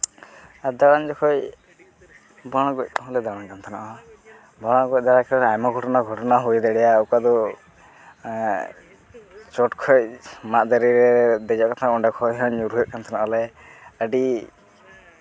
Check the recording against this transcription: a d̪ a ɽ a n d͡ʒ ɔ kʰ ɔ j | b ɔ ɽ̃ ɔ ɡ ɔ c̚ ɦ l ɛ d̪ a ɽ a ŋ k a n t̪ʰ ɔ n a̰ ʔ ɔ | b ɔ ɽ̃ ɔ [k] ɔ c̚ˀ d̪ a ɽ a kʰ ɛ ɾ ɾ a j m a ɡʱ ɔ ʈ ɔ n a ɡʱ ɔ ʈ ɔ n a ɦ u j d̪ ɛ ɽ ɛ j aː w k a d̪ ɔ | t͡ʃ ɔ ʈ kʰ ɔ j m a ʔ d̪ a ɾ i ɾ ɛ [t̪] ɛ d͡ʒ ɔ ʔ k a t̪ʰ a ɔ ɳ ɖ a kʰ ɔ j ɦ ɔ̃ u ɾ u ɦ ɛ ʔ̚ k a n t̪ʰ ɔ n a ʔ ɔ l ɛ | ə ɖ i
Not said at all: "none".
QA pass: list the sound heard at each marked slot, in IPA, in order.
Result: ɡ, d̪

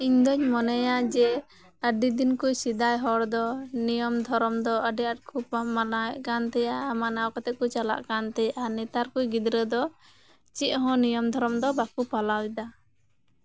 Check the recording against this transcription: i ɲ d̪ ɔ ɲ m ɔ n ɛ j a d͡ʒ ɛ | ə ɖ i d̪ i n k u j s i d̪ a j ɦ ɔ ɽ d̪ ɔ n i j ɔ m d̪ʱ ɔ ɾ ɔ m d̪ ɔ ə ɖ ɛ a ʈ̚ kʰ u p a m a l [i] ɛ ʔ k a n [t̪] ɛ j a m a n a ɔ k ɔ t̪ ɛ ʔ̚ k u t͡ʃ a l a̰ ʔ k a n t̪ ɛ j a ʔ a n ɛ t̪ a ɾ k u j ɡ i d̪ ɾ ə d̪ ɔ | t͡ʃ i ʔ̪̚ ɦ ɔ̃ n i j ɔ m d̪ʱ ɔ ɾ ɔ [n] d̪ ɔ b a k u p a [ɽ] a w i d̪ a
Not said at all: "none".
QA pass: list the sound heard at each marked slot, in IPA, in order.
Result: a, t̪, m, l

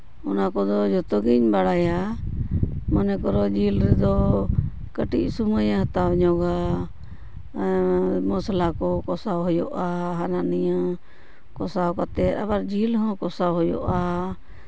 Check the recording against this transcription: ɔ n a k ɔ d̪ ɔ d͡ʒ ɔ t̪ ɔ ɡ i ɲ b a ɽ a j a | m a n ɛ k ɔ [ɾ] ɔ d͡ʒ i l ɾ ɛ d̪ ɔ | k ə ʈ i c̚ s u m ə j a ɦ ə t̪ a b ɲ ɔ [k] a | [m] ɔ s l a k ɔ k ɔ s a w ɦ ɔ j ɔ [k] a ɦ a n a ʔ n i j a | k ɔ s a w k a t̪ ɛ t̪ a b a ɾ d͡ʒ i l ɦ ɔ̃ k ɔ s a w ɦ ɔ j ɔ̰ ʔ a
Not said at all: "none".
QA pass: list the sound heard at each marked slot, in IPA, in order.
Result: ɾ, ɡ, m, ʔ

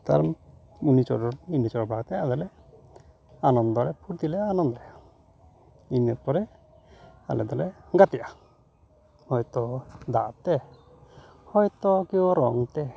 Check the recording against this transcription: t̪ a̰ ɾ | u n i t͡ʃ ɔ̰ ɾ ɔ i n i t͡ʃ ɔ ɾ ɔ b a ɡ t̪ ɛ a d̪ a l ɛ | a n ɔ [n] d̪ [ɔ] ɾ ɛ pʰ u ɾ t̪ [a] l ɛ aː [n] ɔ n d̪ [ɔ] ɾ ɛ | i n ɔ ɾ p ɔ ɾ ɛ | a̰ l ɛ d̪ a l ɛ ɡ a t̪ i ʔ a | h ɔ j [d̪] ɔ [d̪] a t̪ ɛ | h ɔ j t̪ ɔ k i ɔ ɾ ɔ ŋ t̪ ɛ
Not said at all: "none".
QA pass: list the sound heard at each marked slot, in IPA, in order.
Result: n, ɔ, i, n, ɔ, t̪, d̪

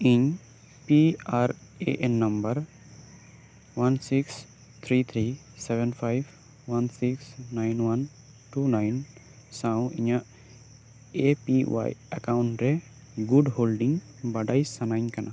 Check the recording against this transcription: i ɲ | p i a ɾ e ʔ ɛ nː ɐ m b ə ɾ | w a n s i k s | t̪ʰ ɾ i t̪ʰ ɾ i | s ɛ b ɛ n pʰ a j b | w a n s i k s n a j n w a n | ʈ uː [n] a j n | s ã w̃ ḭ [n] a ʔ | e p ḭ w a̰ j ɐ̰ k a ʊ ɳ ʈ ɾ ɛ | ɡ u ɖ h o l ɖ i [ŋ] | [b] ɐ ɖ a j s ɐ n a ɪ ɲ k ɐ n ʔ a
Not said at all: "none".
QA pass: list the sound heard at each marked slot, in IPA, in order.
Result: n, ɲ, ŋ, b

